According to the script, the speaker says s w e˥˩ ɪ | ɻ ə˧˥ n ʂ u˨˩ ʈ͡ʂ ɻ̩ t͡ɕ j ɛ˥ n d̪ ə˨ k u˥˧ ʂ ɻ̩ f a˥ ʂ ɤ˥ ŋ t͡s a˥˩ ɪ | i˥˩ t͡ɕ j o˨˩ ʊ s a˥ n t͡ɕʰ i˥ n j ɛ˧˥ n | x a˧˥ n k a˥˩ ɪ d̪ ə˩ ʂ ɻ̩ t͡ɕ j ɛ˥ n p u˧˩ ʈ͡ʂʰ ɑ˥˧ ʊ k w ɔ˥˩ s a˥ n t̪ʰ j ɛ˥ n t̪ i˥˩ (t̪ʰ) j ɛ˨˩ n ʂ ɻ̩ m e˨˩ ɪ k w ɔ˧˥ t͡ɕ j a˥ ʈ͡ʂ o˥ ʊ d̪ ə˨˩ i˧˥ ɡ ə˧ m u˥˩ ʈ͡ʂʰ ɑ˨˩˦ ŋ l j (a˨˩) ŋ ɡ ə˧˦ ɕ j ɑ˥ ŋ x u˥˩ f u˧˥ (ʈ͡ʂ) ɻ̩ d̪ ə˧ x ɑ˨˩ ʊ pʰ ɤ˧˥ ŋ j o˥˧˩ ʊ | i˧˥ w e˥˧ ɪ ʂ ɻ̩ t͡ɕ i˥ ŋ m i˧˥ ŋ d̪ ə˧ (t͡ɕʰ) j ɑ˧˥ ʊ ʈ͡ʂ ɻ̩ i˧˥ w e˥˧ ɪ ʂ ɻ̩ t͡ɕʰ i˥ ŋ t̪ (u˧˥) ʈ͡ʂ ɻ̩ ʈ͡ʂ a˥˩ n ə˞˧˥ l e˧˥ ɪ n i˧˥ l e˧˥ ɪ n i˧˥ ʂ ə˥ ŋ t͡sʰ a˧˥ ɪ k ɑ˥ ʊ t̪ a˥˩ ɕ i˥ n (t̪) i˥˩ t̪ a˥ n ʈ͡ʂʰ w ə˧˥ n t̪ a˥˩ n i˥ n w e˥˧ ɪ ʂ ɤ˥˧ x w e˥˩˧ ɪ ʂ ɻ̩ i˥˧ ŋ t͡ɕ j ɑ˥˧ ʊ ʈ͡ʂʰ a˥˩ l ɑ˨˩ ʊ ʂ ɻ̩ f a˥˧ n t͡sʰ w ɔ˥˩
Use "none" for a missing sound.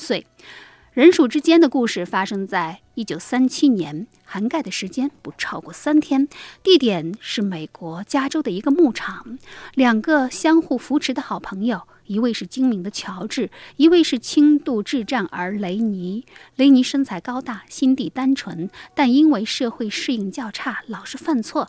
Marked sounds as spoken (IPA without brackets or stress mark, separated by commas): t̪, ɑ˨˩, ʈ͡ʂʰ, t͡ɕʰ, u˥˧, t̪